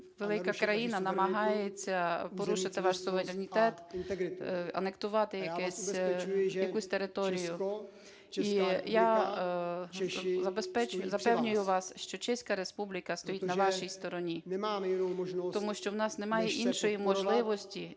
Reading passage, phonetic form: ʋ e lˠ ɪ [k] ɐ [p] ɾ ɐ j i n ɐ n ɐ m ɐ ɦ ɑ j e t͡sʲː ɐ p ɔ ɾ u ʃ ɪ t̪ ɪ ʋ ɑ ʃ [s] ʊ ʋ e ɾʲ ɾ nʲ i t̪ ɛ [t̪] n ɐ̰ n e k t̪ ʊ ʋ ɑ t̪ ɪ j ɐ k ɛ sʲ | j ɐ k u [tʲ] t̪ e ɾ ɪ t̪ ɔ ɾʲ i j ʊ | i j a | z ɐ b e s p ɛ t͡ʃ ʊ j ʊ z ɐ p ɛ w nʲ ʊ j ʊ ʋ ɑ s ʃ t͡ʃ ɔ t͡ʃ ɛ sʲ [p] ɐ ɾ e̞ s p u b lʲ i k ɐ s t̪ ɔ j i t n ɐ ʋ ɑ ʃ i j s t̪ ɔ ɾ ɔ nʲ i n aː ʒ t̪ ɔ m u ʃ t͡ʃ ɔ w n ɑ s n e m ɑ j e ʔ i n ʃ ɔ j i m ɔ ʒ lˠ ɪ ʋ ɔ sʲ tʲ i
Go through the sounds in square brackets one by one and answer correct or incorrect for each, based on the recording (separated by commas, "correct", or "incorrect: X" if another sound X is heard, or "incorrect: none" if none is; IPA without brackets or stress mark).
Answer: correct, incorrect: k, correct, correct, incorrect: sʲ, incorrect: k